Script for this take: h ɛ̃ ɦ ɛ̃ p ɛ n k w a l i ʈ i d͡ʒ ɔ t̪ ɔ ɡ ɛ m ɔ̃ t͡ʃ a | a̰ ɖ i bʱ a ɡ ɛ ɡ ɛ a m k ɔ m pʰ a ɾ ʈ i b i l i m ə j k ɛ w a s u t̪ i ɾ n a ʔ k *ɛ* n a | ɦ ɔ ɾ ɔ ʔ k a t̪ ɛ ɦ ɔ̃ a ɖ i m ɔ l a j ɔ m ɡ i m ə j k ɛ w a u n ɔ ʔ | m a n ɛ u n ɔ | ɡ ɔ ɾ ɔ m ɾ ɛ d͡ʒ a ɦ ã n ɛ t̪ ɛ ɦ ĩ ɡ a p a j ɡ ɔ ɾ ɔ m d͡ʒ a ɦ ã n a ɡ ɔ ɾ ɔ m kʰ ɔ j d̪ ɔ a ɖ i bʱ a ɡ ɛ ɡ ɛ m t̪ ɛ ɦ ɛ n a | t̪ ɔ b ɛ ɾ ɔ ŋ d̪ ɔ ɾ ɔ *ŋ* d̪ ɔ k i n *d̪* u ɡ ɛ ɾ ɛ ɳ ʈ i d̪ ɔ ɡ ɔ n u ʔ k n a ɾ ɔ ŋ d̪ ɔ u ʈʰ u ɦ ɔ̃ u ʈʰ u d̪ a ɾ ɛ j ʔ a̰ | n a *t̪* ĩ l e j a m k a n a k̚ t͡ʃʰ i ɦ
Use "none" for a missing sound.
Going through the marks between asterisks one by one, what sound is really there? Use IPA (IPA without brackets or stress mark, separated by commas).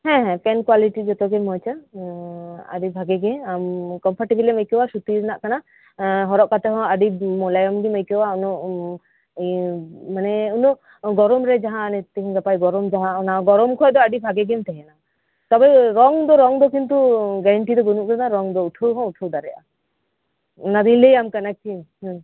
a, ŋ, t̪, d̪